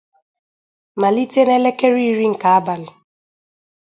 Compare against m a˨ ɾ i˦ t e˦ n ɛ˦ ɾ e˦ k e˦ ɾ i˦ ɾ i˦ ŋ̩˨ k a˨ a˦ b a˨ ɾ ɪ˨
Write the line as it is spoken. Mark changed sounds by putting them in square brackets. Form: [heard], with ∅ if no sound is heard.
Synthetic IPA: m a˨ [l] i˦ t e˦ n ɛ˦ [l] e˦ k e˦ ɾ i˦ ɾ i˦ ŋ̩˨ k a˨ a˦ b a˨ [l] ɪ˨

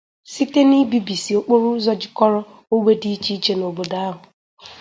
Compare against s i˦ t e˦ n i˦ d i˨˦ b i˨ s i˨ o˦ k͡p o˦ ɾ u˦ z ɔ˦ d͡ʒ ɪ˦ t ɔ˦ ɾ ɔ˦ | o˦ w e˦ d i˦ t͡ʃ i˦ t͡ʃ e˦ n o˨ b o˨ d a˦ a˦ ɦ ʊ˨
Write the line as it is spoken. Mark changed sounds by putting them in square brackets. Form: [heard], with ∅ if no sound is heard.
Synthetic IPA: s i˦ t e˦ n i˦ [b] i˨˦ b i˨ s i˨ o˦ k͡p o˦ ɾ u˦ z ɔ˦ d͡ʒ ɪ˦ [k] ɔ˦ ɾ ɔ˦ | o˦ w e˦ d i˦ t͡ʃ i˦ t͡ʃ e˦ n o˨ b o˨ d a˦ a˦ ɦ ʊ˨

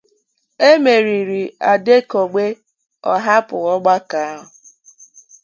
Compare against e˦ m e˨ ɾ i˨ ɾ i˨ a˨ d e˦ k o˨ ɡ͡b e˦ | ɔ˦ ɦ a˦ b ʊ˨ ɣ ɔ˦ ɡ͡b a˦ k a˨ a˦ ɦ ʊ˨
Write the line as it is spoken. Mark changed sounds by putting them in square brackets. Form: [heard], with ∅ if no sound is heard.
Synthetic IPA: e˦ m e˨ ɾ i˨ ɾ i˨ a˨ d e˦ k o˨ ɡ͡b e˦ | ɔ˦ ɦ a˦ [p] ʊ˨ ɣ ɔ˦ ɡ͡b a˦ k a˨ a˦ ɦ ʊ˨

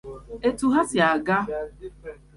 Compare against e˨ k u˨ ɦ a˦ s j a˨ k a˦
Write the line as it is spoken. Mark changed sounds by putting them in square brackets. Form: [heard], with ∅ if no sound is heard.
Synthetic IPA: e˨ [t] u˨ ɦ a˦ s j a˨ [ɡ] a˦

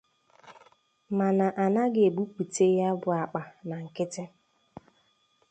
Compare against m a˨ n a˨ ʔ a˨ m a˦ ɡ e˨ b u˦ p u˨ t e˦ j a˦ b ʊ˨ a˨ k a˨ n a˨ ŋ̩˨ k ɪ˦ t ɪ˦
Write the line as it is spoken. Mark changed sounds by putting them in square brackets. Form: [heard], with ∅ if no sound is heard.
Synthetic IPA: m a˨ n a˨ ʔ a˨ [n] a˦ ɡ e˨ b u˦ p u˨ t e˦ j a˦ b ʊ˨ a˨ [k͡p] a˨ n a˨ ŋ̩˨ k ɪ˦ t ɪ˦

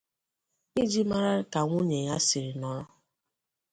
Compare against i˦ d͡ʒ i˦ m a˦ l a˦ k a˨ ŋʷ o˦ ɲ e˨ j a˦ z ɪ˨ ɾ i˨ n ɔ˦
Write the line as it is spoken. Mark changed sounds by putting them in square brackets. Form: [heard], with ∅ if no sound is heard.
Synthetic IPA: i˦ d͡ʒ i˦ m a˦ [ɾ] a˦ k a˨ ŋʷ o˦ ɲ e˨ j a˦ [s] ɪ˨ ɾ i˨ n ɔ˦

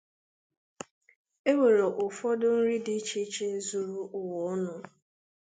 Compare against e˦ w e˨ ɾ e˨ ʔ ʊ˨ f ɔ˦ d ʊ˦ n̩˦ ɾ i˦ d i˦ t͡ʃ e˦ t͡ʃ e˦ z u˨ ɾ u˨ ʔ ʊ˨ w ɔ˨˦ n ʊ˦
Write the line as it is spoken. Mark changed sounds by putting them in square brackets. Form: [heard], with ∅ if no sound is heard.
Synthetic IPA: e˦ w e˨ ɾ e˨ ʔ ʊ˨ f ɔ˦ d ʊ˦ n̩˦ ɾ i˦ d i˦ t͡ʃ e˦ t͡ʃ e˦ z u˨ ɾ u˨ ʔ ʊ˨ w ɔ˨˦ n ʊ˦

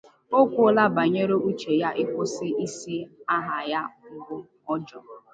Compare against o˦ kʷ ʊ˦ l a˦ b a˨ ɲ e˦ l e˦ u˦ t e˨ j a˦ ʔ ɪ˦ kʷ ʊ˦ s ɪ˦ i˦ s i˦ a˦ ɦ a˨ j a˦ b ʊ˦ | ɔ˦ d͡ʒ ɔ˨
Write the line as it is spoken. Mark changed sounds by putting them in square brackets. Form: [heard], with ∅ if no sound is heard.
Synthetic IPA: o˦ kʷ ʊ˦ l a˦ b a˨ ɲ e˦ [ɾ] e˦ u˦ [t͡ʃ] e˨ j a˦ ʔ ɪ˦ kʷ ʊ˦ s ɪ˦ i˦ s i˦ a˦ ɦ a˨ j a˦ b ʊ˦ | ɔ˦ d͡ʒ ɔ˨

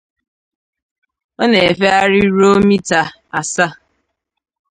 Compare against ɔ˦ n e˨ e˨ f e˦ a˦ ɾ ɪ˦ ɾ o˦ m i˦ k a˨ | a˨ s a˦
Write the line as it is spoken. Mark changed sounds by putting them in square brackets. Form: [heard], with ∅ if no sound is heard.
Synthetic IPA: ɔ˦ n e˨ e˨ f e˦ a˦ ɾ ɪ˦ ɾ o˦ m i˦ [t] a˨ | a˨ s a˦

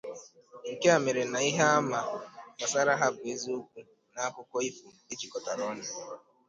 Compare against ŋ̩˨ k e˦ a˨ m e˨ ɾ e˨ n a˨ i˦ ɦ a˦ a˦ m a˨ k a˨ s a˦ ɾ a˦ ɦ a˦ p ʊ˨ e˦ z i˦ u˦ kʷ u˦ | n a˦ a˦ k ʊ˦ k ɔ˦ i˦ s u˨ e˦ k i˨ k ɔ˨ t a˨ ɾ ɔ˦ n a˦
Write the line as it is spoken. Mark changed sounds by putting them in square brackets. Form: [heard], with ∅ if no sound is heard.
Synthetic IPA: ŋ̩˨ k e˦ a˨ m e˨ ɾ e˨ n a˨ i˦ ɦ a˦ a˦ m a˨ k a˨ s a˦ ɾ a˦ ɦ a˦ [b] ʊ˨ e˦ z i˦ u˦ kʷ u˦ | n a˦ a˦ k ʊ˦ k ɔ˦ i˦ [f] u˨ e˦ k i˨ k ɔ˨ t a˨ ɾ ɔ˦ n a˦

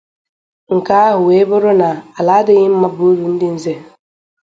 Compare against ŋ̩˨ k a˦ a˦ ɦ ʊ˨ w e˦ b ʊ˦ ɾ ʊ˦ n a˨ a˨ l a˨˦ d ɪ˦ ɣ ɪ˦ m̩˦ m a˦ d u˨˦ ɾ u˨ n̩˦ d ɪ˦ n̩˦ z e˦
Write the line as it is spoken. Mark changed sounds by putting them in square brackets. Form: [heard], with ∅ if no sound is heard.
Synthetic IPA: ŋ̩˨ k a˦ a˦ ɦ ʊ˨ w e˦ b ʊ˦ ɾ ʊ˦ n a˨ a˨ l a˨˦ d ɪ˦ ɣ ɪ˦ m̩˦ m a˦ [b] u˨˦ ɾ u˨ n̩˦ d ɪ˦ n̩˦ z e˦

